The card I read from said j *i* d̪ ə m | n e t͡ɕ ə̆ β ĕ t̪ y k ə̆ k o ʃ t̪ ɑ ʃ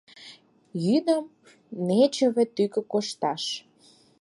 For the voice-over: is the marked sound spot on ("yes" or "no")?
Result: no